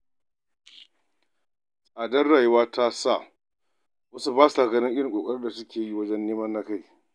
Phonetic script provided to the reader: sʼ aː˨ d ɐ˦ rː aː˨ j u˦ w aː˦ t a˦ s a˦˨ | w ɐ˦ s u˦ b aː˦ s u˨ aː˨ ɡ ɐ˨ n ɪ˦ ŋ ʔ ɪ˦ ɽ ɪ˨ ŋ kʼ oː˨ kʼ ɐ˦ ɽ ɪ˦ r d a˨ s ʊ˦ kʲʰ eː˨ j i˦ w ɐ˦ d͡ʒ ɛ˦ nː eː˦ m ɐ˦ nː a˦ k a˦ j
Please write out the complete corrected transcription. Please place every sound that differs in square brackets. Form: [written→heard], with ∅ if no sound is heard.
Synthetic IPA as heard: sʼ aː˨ d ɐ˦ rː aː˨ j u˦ w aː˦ t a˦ s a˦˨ | w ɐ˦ s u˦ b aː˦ s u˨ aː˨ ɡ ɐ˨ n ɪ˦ ŋ ʔ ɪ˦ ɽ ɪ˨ ŋ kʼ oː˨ kʼ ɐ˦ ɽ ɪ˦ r d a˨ s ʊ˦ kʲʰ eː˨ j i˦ w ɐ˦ d͡ʒ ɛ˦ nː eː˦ m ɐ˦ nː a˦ k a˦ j